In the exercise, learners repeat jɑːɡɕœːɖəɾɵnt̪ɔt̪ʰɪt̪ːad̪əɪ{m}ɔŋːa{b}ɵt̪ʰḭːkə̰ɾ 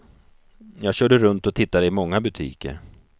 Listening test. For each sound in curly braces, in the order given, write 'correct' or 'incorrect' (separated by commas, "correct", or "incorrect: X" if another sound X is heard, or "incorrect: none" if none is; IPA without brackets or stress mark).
correct, correct